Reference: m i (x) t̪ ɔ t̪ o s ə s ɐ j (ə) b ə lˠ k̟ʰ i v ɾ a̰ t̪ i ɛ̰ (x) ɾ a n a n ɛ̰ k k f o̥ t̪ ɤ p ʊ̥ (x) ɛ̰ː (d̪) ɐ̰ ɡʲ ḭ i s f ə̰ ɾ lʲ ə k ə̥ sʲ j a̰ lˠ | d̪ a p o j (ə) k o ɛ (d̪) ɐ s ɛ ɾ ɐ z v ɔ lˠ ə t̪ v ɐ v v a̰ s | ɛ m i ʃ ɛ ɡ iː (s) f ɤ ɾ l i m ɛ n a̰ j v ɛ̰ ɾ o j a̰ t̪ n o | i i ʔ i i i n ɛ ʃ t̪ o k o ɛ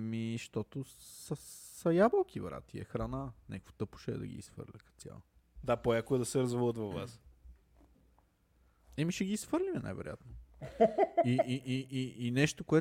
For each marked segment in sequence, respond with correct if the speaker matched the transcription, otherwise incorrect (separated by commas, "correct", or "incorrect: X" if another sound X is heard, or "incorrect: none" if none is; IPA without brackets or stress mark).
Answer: incorrect: ʃ, incorrect: a, correct, incorrect: ʃ, correct, incorrect: a, correct, correct